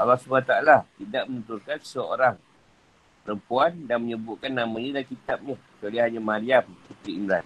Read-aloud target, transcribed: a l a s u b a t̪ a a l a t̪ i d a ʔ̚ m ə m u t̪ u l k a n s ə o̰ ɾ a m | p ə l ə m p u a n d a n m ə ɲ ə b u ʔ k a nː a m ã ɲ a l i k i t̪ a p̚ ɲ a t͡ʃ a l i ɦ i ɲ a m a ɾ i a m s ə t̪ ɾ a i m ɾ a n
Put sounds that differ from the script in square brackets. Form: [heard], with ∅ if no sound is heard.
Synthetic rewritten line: a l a s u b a t̪ a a l a t̪ i d a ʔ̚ m ə [n] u t̪ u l k a n s ə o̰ ɾ a [ŋ] | p ə [ɾ] ə m p u a n d a n m ə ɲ ə b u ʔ k a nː a m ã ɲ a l [a] k i t̪ a p̚ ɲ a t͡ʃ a l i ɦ [a] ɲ a m a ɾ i a m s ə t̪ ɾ [i] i m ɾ a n